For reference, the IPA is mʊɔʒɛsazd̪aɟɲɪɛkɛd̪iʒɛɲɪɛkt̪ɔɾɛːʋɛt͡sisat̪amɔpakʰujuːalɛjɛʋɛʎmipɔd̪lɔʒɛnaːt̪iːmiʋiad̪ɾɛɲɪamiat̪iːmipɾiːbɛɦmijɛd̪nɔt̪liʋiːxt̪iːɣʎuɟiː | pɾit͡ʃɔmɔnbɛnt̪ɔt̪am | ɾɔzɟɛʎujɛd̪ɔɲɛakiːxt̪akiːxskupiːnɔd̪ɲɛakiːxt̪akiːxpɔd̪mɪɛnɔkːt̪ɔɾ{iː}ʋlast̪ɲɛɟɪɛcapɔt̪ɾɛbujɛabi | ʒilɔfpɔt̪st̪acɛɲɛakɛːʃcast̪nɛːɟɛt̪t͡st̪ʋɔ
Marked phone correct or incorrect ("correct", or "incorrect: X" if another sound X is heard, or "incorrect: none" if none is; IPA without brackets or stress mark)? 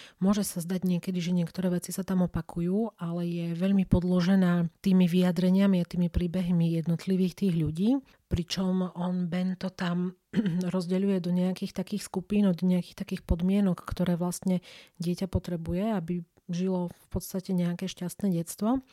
incorrect: ɛː